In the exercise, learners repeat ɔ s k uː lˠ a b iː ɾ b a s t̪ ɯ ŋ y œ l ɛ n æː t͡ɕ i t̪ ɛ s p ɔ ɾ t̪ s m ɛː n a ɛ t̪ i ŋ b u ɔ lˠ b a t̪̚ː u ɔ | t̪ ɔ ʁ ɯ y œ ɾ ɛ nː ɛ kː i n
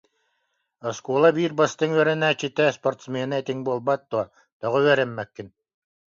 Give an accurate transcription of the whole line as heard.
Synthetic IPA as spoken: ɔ s k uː lˠ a b iː ɾ b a s t̪ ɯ ŋ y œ ɾ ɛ n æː t͡ɕ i t̪ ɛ s p ɔ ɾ t̪ s m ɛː n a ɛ t̪ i ŋ b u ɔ lˠ b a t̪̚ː u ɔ | t̪ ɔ ʁ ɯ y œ ɾ ɛ mː ɛ kː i n